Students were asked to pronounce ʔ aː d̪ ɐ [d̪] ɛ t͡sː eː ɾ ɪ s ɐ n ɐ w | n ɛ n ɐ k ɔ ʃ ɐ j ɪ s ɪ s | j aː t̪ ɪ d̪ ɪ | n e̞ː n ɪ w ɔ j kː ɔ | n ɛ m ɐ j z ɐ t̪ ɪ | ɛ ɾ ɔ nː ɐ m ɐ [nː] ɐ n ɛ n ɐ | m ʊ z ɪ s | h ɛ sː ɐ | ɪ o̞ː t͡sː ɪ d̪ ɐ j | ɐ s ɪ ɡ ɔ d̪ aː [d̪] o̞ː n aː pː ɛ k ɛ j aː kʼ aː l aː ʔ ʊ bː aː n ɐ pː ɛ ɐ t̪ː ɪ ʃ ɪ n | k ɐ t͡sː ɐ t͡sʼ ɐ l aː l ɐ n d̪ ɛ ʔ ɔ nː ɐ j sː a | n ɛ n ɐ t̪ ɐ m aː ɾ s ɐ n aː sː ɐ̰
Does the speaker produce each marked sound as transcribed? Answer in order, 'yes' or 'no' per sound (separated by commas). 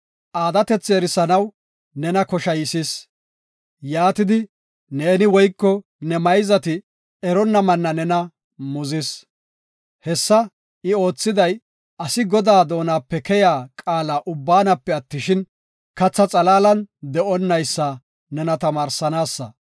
no, yes, yes